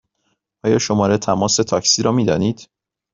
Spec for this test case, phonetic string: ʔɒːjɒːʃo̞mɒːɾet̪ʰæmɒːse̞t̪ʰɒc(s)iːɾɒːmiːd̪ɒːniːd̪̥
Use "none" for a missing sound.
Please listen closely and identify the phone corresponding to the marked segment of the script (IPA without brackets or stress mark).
s